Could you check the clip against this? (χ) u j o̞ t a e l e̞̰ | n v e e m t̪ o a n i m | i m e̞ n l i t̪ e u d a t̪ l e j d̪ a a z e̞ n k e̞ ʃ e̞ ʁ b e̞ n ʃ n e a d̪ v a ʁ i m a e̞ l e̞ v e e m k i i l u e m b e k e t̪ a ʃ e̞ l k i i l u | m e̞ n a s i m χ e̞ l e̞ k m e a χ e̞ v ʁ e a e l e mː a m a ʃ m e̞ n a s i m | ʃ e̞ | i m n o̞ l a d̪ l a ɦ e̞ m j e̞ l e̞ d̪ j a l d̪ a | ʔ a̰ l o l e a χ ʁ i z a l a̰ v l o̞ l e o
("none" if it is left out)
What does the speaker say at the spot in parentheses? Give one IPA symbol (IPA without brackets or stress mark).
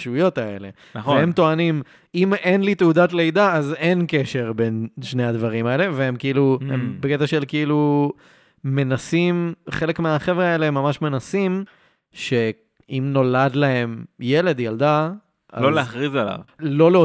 ʃ